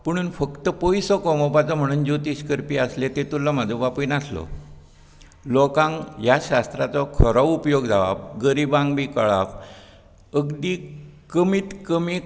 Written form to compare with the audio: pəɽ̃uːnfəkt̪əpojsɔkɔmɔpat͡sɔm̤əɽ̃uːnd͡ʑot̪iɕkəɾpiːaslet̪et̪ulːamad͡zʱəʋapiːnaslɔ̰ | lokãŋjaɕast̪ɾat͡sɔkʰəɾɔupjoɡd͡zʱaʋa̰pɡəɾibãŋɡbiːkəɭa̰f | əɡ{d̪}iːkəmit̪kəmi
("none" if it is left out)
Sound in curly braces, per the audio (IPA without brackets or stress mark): d̪